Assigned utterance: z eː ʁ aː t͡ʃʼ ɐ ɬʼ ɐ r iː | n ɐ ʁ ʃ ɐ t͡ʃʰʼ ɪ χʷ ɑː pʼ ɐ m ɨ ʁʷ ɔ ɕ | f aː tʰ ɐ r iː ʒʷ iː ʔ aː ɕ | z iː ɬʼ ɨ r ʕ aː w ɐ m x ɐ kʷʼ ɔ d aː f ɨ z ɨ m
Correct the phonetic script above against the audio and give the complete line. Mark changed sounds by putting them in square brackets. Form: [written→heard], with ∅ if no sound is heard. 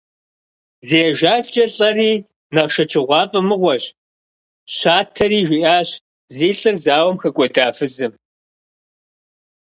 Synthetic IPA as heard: z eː [ʁ→ʒ] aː t͡ʃʼ ɐ ɬʼ ɐ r iː | n ɐ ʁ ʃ ɐ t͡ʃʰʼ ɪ [χʷ→ʁʷ] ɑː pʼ ɐ m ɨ ʁʷ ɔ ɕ | [f→ɕ] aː tʰ ɐ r iː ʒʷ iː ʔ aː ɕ | z iː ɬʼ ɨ r [ʕ→z] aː w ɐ m x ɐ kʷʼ ɔ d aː f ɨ z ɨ m